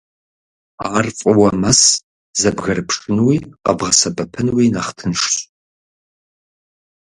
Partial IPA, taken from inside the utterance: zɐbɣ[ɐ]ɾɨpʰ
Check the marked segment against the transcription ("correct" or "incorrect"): correct